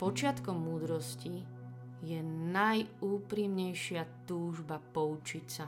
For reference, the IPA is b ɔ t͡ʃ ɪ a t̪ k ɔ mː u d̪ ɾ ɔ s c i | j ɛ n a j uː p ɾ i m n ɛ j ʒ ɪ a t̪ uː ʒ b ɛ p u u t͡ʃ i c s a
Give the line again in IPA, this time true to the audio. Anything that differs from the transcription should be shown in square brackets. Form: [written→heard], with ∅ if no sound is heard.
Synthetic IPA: [b→p] ɔ t͡ʃ ɪ a t̪ k ɔ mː [u→uː] d̪ ɾ ɔ s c i | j ɛ n a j uː p ɾ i m [n→ɲ] ɛ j [ʒ→ʃ] ɪ a t̪ uː ʒ b [ɛ→a] p [u→ɔ] u t͡ʃ i c s a